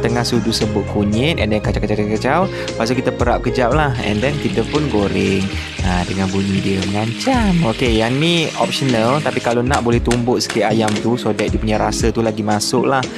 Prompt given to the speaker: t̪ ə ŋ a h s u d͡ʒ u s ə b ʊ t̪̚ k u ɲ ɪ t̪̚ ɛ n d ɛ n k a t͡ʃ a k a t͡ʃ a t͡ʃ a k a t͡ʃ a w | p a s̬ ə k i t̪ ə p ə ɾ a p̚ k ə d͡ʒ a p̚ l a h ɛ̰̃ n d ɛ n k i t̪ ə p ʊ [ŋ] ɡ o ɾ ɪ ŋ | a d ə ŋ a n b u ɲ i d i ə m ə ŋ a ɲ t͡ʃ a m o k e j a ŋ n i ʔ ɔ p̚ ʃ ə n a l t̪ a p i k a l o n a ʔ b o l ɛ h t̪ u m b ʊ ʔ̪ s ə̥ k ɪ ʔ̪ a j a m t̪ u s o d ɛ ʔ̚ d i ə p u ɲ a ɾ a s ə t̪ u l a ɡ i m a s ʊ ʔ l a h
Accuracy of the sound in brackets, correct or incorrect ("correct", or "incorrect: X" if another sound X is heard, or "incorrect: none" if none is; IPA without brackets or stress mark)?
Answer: incorrect: n